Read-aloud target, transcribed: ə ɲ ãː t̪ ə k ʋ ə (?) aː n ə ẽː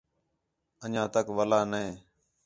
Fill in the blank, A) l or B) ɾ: A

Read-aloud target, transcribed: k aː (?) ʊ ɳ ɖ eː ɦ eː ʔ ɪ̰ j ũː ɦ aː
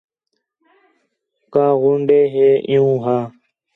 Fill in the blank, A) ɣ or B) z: A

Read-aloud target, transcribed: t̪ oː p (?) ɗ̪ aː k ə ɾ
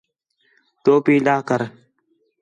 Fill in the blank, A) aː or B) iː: B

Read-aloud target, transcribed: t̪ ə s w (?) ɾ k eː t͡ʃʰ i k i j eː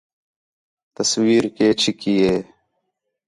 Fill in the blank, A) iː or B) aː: A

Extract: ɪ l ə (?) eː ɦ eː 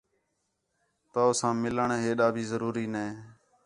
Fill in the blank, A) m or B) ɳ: B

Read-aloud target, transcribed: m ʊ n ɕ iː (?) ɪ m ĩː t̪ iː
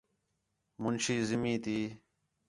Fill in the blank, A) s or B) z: B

